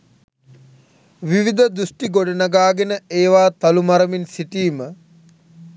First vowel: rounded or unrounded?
unrounded